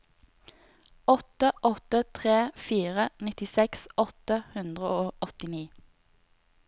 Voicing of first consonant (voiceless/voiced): voiceless